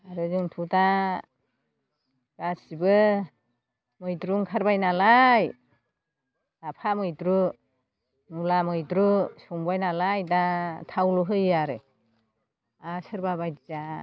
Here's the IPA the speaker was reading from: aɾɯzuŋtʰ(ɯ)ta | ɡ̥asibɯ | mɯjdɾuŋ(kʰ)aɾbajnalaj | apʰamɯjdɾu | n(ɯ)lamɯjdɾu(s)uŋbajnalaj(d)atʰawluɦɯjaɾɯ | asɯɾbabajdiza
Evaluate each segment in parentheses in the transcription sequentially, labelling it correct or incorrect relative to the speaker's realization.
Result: incorrect, correct, incorrect, correct, correct

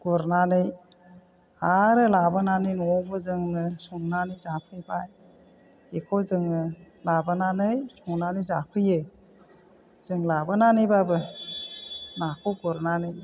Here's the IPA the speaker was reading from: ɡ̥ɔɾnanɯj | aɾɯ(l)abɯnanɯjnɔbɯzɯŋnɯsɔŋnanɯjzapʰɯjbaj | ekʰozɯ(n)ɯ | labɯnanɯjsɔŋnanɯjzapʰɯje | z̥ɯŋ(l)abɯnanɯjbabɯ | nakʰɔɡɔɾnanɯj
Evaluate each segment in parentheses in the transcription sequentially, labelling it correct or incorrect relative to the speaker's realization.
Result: correct, incorrect, correct

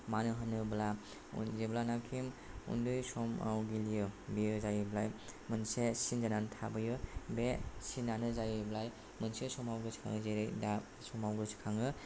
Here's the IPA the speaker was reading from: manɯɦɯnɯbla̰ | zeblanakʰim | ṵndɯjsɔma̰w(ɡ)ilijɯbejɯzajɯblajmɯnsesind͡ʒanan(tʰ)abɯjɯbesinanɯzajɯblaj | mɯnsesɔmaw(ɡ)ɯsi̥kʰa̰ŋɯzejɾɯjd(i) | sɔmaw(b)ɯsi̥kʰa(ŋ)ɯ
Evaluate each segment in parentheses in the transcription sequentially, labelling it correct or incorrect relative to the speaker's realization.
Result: correct, correct, correct, incorrect, incorrect, correct

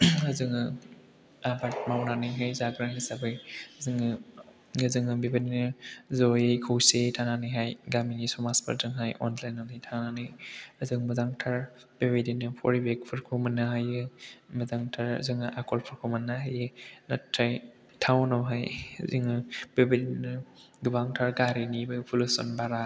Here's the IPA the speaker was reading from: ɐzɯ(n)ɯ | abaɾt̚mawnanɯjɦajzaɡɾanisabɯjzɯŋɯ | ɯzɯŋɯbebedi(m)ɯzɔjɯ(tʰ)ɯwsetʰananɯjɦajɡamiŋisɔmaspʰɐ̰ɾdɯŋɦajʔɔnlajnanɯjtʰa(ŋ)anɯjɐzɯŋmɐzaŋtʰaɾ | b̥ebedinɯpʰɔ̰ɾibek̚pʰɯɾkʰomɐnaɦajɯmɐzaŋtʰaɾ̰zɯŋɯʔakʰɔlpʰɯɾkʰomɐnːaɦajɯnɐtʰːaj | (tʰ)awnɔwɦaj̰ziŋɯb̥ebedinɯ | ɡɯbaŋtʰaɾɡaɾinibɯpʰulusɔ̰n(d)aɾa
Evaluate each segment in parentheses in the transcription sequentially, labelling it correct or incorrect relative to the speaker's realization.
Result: incorrect, incorrect, incorrect, incorrect, correct, incorrect

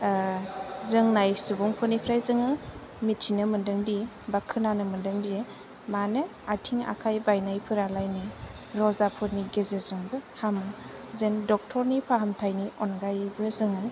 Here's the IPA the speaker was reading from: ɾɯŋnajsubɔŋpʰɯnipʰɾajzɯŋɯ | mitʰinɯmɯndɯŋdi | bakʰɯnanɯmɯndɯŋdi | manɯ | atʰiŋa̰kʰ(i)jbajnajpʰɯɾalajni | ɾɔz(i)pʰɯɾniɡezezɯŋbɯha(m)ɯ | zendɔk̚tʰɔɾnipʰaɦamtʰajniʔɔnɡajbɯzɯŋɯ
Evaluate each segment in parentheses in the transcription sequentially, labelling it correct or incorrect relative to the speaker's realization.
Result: incorrect, incorrect, correct

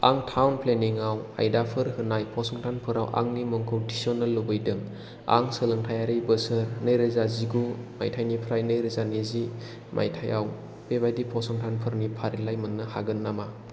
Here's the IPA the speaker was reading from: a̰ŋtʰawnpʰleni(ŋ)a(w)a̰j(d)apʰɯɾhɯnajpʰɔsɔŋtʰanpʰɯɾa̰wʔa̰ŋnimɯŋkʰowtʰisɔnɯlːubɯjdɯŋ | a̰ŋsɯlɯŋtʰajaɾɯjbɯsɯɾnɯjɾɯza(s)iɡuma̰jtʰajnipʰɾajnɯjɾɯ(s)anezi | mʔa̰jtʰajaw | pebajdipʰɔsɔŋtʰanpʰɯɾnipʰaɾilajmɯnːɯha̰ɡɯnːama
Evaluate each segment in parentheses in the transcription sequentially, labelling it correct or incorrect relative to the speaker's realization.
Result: correct, correct, correct, incorrect, incorrect

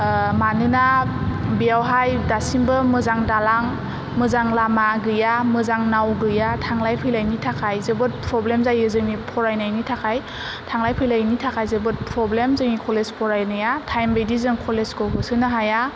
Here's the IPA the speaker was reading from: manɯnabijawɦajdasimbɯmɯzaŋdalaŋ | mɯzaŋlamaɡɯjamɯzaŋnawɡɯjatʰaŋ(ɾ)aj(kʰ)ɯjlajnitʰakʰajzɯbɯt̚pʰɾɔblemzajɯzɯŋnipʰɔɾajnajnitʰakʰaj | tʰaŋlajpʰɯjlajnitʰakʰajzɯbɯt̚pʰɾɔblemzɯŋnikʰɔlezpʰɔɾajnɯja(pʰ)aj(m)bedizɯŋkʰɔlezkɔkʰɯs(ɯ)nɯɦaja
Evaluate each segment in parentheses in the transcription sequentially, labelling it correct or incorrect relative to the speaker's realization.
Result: incorrect, incorrect, incorrect, correct, correct

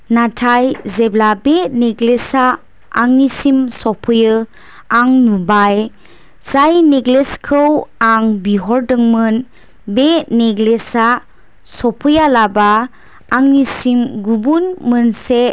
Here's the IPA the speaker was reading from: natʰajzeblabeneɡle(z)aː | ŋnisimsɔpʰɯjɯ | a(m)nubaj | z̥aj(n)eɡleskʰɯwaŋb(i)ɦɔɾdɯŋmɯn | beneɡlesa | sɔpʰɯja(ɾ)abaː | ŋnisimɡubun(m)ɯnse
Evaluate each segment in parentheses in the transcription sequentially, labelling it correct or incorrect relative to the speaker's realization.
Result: incorrect, incorrect, correct, correct, incorrect, correct

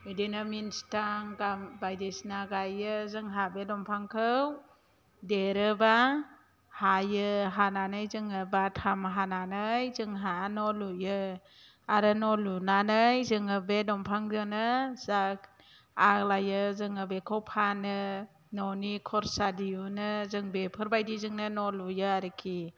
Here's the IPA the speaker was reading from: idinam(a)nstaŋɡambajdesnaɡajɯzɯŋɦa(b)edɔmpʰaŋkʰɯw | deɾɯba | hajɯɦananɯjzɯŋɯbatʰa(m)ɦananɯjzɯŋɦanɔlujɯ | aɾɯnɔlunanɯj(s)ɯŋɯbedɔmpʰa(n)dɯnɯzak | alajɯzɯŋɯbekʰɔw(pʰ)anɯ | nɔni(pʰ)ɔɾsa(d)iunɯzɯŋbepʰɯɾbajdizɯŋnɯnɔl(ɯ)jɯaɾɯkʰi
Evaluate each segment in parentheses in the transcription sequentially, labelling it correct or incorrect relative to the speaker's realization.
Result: incorrect, correct, correct, incorrect, incorrect, correct, incorrect, correct, incorrect

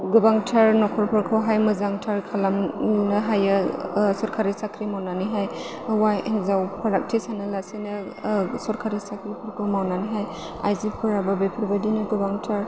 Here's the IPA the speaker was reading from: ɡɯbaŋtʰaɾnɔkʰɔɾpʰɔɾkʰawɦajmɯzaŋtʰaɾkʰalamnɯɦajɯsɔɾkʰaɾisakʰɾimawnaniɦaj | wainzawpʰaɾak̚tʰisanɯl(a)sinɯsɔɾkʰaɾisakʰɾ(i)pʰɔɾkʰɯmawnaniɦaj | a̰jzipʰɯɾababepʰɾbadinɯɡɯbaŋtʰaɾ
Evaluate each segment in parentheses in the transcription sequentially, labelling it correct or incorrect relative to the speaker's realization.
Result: correct, correct

